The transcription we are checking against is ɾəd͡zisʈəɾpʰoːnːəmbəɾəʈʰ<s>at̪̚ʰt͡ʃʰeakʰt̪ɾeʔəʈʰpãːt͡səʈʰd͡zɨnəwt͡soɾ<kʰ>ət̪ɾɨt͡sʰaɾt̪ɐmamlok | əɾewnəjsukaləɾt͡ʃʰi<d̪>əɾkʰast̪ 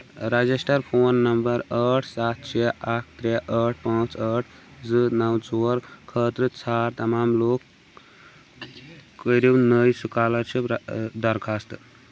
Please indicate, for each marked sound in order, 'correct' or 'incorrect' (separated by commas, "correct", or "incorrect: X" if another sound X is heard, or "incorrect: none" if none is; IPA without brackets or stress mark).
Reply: correct, correct, correct